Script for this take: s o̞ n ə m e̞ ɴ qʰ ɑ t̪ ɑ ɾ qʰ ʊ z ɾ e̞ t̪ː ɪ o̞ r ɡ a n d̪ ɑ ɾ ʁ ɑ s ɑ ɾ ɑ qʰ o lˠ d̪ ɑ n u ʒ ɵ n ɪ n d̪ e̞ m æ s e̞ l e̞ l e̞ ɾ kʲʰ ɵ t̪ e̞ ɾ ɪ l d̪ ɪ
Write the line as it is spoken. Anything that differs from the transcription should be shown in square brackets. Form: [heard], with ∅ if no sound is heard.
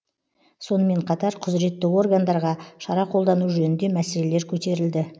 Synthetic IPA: s o̞ n ə m e̞ ɴ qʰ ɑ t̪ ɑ ɾ qʰ ʊ z ɾ e̞ t̪ː ɪ o̞ r ɡ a n d̪ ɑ ɾ ʁ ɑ [ʃ] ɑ ɾ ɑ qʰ o lˠ d̪ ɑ n u ʒ ɵ n ɪ n d̪ e̞ m æ s e̞ l e̞ l e̞ ɾ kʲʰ ɵ t̪ e̞ ɾ ɪ l d̪ ɪ